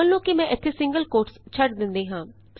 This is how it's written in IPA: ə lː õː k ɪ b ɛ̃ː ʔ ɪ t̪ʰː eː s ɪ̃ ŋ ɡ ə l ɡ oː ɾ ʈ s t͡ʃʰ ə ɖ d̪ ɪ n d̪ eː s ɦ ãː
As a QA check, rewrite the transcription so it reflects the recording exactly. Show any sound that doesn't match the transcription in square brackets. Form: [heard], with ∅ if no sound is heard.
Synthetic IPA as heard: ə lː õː k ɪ [m] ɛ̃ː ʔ ɪ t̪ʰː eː s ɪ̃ ŋ ɡ ə l [k] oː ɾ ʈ s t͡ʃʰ ə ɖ d̪ ɪ n d̪ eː [∅] ɦ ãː